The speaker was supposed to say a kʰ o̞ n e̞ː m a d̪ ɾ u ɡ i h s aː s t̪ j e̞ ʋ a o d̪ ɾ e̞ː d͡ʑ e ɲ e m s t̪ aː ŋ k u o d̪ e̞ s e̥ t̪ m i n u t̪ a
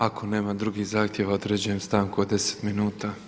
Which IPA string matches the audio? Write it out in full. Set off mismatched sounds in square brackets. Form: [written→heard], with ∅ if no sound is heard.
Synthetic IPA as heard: a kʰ o̞ n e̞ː m a d̪ ɾ u ɡ i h [s→z] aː [s→x] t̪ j e̞ ʋ a o d̪ ɾ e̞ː d͡ʑ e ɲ e m s t̪ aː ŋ k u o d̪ e̞ s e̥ t̪ m i n [u→uː] t̪ a